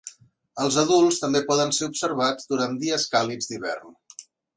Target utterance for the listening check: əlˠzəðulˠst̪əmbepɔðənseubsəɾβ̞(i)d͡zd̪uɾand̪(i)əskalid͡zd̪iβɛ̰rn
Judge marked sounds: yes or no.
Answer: no, yes

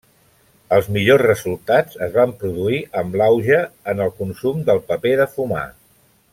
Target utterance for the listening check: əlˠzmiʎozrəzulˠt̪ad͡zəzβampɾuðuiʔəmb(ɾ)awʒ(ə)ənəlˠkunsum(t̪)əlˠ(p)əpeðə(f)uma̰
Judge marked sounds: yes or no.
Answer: no, yes, no, yes, yes

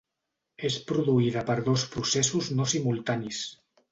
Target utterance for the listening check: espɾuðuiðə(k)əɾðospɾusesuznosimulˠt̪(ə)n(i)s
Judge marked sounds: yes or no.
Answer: no, no, yes

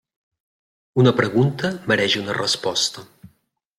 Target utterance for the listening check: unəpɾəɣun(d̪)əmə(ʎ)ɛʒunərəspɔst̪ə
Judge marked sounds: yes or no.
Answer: no, no

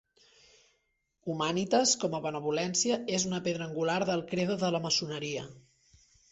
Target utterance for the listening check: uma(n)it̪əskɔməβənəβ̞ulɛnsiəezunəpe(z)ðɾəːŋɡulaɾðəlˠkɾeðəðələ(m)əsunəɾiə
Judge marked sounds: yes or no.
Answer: yes, no, yes

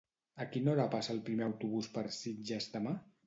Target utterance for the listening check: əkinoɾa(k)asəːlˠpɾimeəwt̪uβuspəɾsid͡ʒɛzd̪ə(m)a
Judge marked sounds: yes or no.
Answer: no, yes

